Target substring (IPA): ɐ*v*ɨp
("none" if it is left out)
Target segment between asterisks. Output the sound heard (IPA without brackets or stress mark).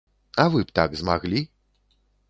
v